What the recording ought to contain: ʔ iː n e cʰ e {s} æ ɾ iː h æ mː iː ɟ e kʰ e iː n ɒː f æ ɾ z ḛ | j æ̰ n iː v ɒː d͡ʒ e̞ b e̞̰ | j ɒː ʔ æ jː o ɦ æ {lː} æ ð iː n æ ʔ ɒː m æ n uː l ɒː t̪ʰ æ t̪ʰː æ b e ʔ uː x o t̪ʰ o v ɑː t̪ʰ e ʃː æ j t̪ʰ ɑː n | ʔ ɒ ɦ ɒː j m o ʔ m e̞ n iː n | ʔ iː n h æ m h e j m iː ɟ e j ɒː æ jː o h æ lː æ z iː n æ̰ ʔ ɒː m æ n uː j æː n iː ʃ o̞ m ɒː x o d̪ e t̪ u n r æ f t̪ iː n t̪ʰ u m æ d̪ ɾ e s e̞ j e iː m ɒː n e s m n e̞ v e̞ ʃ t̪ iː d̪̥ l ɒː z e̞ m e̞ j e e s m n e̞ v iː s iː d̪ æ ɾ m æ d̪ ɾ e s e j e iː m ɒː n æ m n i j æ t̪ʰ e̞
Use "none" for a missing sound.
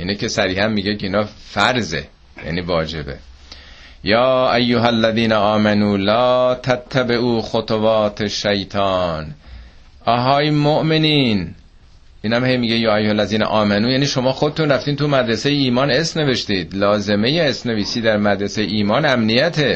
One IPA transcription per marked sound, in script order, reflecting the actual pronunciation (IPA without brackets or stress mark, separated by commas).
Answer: s, lː